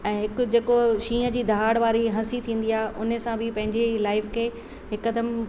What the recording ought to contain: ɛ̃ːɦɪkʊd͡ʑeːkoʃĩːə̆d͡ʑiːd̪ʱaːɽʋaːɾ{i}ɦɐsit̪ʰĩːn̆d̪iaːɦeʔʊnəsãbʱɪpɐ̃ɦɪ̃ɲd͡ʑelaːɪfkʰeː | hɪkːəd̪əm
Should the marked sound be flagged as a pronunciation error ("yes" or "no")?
no